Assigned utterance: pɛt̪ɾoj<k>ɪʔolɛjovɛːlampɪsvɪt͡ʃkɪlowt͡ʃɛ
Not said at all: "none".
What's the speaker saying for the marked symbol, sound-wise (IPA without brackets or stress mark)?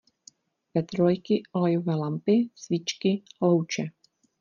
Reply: k